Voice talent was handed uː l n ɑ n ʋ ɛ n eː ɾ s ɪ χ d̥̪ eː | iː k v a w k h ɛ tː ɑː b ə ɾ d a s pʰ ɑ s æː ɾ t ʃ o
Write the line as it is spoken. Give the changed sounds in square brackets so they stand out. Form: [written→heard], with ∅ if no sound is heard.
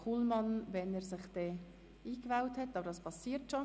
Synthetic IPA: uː l [n→m] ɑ n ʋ ɛ n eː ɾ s ɪ χ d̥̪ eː | iː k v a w [k→t] h ɛ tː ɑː b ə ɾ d [a→ɑ] s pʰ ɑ s [æː→iː] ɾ t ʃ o